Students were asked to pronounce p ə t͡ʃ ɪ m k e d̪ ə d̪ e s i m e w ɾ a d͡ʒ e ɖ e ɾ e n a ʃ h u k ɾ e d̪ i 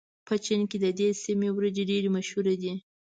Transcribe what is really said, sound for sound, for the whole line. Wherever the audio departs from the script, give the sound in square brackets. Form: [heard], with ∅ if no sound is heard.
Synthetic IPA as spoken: p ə t͡ʃ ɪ [n] k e d̪ ə d̪ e s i m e w ɾ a d͡ʒ e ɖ e ɾ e [m] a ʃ h u [∅] ɾ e d̪ i